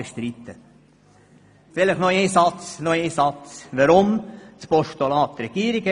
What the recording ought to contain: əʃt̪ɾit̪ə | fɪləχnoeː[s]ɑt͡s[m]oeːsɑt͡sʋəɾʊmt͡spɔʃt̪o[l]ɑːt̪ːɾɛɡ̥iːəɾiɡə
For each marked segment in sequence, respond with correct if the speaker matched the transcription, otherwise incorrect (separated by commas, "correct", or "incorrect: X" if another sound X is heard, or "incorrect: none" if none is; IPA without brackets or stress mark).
correct, incorrect: n, correct